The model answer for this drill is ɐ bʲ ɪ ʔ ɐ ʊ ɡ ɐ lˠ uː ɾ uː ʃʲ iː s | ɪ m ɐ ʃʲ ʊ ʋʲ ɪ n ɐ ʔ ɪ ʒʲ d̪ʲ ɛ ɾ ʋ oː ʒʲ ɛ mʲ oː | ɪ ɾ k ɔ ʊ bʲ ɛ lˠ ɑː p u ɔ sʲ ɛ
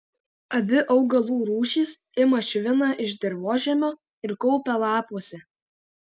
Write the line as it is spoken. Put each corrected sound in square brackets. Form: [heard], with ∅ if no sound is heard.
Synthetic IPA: ɐ bʲ ɪ ʔ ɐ ʊ ɡ ɐ lˠ uː ɾ uː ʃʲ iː s | ɪ m ɐ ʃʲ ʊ ʋʲ ɪ n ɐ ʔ ɪ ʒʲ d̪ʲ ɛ ɾ ʋ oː ʒʲ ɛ mʲ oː | ɪ ɾ k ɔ ʊ [pʲ] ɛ lˠ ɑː p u ɔ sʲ ɛ